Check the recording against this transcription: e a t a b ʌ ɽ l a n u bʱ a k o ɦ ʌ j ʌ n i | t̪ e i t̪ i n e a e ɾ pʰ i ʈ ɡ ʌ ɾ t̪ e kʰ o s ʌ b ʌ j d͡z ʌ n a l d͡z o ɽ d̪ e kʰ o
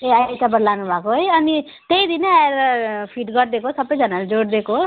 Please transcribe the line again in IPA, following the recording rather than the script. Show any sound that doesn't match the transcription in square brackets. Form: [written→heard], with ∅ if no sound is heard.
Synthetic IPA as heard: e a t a b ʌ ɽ l a n u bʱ a k o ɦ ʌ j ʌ n i | t̪ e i [t̪→d̪] i n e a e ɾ pʰ i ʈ ɡ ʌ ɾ [t̪→d̪] e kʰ o s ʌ b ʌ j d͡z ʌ n a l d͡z o ɽ d̪ e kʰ o